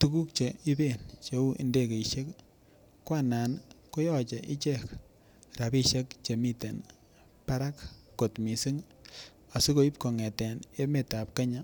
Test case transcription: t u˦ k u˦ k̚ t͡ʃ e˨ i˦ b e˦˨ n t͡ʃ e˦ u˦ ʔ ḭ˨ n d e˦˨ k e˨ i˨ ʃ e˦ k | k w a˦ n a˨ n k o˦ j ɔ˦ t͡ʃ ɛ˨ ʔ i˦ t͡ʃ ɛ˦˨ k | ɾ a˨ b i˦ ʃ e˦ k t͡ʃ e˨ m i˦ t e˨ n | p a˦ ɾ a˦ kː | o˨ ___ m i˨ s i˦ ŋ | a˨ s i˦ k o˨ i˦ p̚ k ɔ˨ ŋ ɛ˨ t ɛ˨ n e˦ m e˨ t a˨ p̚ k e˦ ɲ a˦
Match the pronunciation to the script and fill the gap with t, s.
t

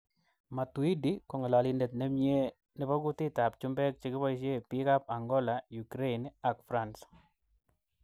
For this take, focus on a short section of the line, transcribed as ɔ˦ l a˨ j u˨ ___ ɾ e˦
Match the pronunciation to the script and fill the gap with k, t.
k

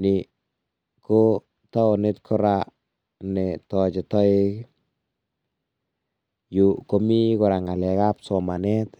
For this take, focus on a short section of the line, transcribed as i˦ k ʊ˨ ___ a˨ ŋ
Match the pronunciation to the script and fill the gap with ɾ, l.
ɾ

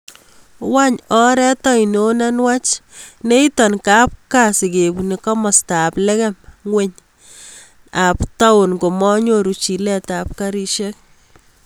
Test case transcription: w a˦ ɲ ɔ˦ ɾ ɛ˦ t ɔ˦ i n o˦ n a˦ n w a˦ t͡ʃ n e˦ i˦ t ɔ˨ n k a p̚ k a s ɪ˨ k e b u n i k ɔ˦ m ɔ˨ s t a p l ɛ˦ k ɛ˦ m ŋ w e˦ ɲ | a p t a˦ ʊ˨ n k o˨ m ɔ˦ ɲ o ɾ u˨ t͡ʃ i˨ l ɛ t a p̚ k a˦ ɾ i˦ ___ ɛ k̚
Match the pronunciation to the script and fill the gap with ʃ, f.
ʃ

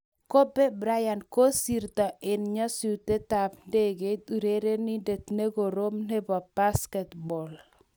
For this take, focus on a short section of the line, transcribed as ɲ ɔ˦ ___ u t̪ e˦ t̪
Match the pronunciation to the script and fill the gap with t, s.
s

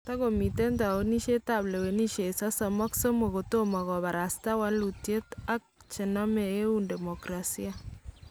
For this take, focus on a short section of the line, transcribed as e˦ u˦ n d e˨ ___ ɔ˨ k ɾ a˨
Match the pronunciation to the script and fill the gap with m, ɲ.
m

